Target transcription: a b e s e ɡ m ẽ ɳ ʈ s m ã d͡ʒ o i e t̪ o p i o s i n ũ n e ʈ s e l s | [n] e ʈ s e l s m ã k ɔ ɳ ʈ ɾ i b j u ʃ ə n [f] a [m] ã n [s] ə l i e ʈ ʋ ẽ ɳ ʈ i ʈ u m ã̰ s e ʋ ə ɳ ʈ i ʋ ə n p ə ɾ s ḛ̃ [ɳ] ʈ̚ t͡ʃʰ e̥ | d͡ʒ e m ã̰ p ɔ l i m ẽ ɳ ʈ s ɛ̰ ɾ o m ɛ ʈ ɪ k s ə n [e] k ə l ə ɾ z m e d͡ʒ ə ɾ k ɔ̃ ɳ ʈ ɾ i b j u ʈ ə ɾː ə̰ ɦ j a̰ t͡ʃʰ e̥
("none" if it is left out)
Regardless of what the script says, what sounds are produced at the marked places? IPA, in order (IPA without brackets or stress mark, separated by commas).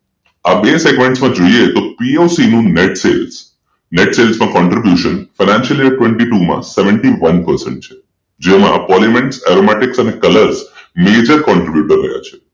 n, f, n, ʃ, ɳ, e